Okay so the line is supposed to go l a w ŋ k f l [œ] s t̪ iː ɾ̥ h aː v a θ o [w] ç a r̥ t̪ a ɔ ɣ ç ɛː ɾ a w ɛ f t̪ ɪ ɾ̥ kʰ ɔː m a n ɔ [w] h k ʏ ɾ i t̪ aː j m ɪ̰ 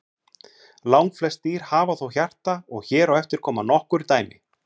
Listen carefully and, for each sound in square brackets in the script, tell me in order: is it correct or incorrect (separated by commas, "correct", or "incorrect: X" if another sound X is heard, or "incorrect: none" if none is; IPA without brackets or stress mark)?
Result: incorrect: ɛ, correct, incorrect: none